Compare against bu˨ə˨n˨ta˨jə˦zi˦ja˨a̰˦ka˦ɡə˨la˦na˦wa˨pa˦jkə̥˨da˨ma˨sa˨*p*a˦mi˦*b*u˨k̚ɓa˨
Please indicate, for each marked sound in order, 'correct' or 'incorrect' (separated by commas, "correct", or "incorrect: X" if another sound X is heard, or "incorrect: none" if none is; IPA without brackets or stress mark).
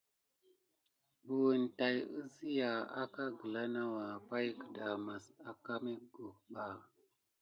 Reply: incorrect: k, incorrect: ɡ